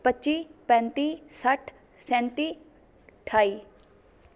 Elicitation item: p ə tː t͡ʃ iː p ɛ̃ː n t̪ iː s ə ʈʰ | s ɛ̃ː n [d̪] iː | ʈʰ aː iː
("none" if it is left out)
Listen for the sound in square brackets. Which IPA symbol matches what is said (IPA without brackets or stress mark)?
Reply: t̪